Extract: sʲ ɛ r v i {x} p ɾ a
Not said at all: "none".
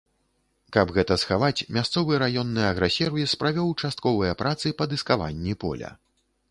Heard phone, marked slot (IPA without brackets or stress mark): s